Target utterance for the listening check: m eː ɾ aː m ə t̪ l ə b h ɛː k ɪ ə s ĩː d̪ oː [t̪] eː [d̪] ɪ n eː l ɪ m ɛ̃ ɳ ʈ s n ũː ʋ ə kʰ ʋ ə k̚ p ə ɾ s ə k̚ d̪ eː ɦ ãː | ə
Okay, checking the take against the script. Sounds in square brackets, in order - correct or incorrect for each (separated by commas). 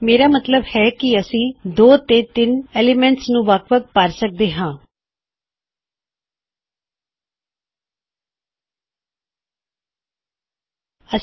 correct, incorrect